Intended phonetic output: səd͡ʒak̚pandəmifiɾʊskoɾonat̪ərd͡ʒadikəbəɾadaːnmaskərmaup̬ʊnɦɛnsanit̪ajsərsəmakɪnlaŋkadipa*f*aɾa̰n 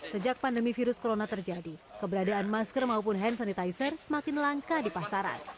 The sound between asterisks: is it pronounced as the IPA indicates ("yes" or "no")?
no